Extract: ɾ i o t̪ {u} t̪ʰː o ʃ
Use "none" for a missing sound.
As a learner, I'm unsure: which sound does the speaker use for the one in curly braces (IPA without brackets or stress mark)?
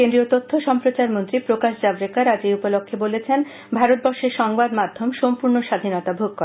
o